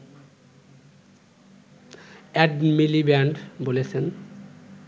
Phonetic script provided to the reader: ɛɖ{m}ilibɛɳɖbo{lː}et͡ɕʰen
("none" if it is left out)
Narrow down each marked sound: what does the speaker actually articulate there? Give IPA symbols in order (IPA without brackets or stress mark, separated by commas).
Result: m, l